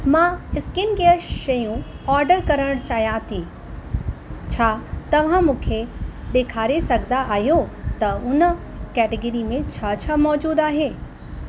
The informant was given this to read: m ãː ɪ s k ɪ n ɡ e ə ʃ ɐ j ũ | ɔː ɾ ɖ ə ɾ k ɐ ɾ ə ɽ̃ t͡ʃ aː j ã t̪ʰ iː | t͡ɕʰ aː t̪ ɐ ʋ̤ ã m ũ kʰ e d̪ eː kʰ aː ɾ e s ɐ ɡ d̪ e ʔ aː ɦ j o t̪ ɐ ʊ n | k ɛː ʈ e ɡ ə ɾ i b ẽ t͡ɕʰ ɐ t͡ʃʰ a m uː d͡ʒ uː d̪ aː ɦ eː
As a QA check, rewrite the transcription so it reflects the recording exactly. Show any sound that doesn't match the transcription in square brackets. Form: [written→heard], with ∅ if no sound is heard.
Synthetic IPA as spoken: m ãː ɪ s k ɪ n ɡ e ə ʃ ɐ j ũ | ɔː ɾ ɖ ə ɾ k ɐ ɾ ə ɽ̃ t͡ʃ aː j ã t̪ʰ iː | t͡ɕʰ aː t̪ ɐ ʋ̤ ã m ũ kʰ e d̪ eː kʰ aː ɾ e s ɐ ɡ d̪ [e→a] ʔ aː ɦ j o t̪ ɐ ʊ n | k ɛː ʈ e ɡ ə ɾ i [b→m] ẽ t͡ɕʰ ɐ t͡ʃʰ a m [uː→ɔː] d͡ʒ uː d̪ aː ɦ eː